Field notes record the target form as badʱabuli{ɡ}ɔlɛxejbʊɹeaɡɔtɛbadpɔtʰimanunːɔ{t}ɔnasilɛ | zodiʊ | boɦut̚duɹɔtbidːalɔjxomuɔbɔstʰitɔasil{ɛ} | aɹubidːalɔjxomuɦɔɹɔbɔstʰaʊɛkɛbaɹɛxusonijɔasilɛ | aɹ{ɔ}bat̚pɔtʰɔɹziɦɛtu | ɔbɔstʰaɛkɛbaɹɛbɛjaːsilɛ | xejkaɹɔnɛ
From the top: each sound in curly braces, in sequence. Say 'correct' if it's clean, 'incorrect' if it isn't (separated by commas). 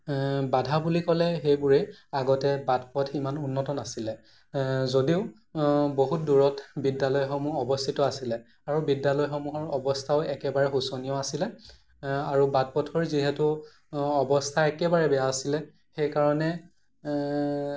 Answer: incorrect, correct, correct, incorrect